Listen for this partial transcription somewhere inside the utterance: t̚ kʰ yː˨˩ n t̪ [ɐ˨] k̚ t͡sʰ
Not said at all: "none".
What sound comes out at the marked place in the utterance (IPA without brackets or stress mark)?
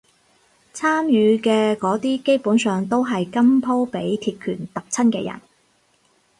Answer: ɐ˨